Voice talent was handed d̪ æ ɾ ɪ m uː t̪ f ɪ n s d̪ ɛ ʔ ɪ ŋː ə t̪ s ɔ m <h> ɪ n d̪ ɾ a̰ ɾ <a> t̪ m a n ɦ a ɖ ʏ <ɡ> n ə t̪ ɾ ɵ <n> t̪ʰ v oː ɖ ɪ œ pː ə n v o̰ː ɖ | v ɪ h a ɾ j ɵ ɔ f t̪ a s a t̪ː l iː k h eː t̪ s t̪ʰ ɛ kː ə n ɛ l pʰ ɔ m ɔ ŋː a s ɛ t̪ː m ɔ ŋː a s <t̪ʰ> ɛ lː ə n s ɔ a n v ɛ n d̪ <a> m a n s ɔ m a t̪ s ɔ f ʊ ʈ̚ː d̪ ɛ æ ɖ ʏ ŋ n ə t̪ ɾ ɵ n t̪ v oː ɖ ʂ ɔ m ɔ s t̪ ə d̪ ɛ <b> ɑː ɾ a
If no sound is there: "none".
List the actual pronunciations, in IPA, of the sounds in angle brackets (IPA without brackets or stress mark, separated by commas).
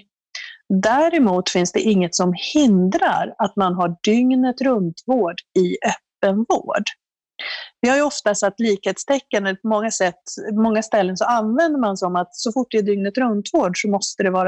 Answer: h, a, ŋ, n, t̪, ə, v